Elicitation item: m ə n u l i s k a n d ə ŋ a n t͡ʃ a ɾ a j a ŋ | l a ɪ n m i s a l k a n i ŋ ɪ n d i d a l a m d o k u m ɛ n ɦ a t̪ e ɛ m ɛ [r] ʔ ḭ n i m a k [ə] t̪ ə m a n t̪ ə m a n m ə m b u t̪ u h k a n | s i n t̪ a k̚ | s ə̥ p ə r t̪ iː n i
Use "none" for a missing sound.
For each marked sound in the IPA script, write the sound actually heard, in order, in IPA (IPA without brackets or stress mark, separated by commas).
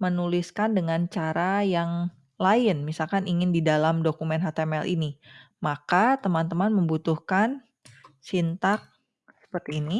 l, a